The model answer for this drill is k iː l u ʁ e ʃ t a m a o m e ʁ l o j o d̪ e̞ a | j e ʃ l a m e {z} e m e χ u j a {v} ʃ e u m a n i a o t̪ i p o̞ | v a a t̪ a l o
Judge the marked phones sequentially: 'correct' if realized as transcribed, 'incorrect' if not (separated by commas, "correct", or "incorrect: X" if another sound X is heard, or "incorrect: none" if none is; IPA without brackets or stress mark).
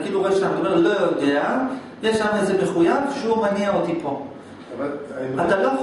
correct, correct